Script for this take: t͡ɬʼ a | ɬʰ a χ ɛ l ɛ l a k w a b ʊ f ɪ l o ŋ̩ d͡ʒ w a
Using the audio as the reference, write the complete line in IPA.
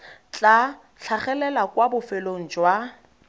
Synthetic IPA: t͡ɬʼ a | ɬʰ a χ ɛ l ɛ l a k w a b ʊ f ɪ l o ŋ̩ d͡ʒ w a